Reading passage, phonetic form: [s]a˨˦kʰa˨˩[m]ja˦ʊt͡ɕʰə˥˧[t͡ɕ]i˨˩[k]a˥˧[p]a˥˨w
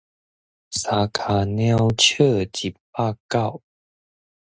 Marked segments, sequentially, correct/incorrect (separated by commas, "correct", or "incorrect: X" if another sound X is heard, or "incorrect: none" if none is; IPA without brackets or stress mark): correct, incorrect: n, correct, incorrect: p, incorrect: k